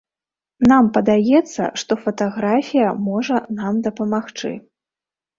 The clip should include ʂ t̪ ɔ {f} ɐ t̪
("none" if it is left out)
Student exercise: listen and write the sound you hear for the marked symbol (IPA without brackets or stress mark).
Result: f